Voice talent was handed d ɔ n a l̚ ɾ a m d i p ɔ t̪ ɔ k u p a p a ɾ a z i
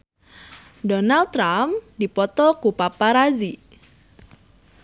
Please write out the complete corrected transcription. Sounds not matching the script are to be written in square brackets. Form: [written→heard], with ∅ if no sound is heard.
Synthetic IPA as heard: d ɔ n a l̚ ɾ a m d i p ɔ t̪ ɔ k u p a p a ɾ a z i